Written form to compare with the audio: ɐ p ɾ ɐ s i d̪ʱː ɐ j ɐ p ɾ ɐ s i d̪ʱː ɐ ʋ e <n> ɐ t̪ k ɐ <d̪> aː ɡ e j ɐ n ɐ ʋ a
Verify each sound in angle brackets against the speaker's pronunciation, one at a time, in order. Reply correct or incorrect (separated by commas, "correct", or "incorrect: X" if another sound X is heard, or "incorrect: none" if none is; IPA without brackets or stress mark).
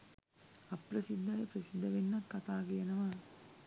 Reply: incorrect: nː, incorrect: t̪